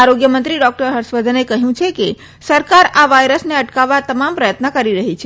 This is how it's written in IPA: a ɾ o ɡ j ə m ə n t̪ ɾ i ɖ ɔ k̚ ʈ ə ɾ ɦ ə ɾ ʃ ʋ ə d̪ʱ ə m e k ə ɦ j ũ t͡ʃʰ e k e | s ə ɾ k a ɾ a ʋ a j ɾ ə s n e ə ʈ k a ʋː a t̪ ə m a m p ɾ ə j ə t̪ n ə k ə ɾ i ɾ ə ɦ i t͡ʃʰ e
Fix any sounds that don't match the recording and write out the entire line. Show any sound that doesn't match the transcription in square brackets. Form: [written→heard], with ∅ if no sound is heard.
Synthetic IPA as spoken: a ɾ o ɡ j ə m ə n t̪ ɾ i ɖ ɔ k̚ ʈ ə ɾ ɦ ə ɾ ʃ ʋ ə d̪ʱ ə [m→n] e k ə ɦ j ũ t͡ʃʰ e k e | s ə ɾ k a ɾ a ʋ a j ɾ ə s n e ə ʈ k a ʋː a t̪ ə m a m p ɾ ə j ə t̪ n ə k ə ɾ i ɾ ə ɦ i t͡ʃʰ e